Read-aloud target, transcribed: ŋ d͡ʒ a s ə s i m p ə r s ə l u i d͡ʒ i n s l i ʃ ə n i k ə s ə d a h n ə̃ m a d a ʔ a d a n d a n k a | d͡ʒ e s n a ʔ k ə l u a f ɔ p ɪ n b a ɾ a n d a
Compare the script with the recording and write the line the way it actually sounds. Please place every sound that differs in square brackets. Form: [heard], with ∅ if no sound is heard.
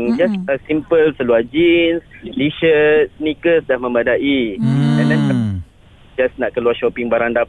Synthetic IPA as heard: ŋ d͡ʒ a s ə s i m p ə [l] s ə l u [a] d͡ʒ i n s l i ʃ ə n i k ə s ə d a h [m] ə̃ m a d a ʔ [i] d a n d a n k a | d͡ʒ [a] s n a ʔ k ə l u a [ʃ] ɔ p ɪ [ŋ] b a ɾ a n d a